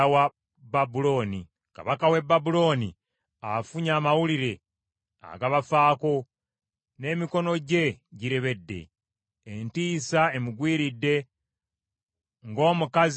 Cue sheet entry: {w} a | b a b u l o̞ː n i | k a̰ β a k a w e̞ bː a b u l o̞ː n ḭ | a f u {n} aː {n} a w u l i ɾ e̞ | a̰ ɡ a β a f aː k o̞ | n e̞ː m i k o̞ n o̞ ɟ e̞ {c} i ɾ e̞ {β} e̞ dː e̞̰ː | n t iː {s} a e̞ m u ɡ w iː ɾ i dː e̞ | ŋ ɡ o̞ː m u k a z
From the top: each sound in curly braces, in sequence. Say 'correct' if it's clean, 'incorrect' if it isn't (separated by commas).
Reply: correct, incorrect, incorrect, incorrect, correct, correct